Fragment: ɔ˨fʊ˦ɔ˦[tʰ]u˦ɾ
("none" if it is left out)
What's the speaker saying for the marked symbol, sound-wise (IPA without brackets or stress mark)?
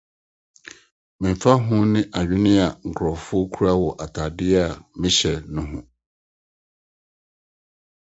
kʰ